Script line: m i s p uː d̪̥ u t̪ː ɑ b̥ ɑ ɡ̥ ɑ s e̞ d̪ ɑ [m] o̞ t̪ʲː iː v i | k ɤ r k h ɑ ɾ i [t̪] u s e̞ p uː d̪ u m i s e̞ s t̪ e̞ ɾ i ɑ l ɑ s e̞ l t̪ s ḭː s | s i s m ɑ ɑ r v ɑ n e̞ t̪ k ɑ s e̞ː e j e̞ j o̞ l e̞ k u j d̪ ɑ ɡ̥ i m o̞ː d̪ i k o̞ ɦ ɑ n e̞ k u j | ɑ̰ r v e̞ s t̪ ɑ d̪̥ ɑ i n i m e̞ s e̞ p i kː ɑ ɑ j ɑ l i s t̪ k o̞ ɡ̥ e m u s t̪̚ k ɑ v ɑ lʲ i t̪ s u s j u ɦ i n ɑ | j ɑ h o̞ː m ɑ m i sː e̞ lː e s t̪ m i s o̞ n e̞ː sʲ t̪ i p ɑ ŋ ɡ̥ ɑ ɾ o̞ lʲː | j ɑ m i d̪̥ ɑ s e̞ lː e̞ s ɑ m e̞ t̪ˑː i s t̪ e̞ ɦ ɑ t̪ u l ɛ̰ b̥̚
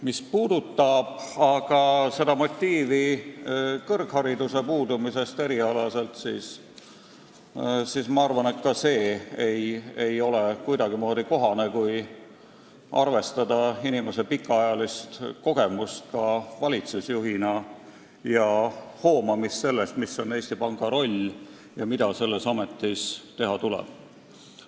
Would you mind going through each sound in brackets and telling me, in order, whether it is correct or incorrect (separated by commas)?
correct, incorrect